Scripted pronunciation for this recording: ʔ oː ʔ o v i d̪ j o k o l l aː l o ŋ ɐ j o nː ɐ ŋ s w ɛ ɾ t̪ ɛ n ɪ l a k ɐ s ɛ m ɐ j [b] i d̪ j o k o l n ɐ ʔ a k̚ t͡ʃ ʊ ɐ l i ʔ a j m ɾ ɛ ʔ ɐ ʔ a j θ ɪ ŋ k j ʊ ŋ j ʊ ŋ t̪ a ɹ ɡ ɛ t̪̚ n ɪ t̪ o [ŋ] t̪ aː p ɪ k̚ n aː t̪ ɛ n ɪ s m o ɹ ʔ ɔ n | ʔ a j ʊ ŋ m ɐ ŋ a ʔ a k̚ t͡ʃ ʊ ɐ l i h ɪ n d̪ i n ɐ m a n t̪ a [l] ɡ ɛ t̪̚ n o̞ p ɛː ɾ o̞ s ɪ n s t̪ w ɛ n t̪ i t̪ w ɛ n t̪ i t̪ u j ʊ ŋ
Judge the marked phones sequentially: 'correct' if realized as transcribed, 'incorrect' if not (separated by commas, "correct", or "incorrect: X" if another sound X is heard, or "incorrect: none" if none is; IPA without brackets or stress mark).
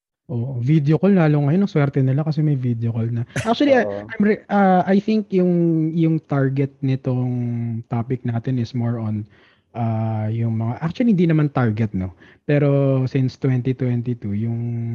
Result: incorrect: v, correct, incorrect: ɹ